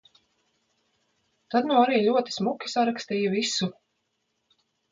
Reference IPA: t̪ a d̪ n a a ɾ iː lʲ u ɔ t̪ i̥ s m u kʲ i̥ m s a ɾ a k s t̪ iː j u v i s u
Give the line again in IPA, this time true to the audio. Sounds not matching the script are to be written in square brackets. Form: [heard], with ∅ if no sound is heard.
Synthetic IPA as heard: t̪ a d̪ n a a ɾ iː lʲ u ɔ t̪ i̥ s m u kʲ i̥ [∅] s a ɾ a k s t̪ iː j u v i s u